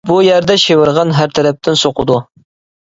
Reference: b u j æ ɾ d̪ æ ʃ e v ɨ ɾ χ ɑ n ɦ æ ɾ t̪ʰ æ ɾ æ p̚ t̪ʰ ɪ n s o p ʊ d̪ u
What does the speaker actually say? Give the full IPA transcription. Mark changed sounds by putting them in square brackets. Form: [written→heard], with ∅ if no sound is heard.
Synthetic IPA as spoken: b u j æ ɾ d̪ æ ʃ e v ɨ ɾ [χ→ʁ] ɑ n ɦ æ ɾ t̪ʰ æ ɾ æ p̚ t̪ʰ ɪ n s o [p→q] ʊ d̪ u